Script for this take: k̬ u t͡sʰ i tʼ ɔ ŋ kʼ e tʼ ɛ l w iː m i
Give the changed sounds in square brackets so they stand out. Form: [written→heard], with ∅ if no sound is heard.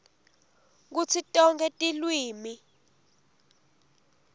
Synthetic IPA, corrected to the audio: k̬ u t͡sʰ i tʼ ɔ ŋ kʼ [e→ɛ] tʼ [ɛ→i] l w iː m i